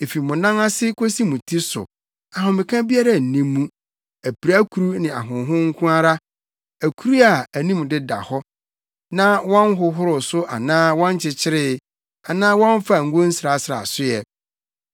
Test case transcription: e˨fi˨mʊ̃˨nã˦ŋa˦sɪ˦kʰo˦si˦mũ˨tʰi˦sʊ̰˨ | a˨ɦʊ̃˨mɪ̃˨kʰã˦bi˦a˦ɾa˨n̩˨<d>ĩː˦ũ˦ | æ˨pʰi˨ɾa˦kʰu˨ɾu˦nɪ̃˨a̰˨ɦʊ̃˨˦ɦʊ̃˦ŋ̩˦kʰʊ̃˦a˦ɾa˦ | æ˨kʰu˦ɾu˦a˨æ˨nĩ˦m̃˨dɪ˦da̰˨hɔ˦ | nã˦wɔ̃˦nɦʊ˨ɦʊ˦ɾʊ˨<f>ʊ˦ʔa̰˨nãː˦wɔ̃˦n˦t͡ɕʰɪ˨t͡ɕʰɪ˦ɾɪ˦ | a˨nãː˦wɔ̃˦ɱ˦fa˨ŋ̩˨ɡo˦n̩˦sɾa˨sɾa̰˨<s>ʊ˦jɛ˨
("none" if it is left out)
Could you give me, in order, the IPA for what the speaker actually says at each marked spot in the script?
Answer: n, s, s

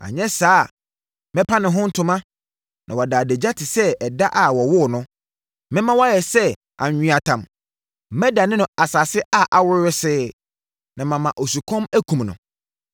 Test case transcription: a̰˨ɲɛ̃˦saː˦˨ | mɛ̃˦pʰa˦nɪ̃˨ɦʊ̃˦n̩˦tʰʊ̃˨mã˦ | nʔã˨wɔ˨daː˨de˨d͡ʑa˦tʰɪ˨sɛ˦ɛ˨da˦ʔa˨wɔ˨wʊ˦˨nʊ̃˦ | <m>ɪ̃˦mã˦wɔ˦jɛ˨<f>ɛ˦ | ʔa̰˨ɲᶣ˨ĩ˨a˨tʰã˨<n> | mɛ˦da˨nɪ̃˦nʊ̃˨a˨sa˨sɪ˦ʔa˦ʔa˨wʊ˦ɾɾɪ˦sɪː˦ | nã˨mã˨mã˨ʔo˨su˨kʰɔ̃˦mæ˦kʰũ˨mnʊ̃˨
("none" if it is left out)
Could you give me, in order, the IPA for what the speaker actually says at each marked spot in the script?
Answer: m, s, m

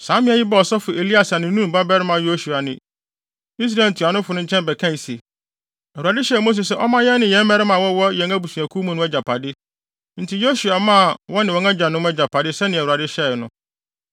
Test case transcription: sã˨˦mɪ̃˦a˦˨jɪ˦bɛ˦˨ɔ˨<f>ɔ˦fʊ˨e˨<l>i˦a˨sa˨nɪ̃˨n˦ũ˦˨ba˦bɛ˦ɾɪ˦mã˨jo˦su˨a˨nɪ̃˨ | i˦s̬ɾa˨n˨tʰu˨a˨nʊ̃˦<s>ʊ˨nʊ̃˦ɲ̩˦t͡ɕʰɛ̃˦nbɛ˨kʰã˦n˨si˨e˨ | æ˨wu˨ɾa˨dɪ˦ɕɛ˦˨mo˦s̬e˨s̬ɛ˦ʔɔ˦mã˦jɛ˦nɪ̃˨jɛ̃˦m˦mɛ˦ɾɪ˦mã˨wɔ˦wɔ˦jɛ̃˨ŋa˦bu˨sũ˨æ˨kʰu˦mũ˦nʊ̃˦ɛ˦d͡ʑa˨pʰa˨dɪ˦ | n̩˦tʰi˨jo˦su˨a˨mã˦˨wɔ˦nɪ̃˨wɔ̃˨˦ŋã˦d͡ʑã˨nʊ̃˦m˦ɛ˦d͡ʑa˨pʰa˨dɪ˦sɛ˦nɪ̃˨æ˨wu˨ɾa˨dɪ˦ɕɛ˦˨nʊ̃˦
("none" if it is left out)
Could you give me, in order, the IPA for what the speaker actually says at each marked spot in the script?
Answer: s, l, f

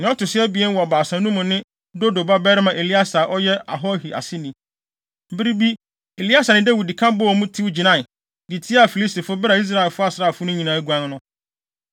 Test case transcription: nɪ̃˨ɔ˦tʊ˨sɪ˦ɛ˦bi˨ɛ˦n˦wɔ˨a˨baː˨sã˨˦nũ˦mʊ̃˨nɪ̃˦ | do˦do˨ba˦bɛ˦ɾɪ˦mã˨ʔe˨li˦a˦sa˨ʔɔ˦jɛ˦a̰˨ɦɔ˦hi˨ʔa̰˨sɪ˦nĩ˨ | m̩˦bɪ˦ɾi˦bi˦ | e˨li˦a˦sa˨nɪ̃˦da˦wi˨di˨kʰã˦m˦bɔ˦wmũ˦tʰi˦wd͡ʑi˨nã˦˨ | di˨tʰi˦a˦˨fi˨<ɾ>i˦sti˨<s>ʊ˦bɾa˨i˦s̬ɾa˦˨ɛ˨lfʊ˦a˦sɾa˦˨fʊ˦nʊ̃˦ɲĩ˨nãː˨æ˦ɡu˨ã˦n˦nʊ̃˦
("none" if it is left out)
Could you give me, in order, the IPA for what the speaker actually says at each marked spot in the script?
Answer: l, f

